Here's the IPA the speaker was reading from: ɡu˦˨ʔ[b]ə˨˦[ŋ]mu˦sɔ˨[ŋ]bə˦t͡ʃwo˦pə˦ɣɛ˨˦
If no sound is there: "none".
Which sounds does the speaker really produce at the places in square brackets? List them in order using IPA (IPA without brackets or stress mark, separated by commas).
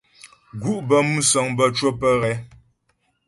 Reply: b, none, ŋ